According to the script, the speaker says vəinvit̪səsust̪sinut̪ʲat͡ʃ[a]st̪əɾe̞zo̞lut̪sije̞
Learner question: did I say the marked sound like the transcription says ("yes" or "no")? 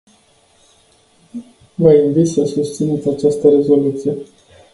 yes